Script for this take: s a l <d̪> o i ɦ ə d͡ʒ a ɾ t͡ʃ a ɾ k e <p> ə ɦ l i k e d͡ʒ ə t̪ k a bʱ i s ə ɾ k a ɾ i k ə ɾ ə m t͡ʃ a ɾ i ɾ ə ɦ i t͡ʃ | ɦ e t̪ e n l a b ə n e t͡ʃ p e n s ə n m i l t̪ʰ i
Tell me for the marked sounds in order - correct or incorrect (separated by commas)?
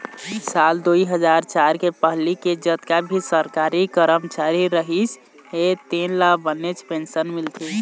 correct, correct